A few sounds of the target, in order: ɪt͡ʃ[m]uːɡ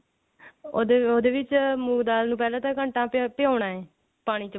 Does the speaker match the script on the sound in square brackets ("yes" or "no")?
yes